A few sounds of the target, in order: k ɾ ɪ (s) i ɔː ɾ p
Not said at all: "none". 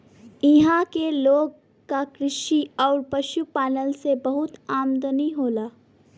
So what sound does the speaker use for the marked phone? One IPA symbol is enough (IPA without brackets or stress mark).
ʃ